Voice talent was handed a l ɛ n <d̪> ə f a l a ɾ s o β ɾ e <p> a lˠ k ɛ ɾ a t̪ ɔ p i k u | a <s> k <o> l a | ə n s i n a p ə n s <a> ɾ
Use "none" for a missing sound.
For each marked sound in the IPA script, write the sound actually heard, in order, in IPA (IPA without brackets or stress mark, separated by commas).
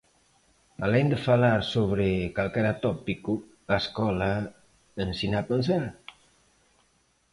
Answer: d̪, k, s, ɔ, a